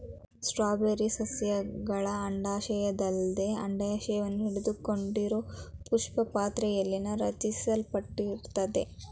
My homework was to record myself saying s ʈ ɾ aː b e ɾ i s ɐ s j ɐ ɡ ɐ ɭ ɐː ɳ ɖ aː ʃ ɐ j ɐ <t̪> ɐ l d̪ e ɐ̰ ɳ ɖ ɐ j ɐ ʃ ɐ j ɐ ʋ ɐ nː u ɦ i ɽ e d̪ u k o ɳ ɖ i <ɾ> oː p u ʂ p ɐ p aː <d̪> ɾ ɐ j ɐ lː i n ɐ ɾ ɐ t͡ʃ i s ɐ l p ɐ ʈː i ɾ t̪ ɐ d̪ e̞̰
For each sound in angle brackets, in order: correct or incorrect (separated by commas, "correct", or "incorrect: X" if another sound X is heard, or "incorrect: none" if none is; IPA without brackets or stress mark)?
incorrect: d̪, correct, incorrect: t̪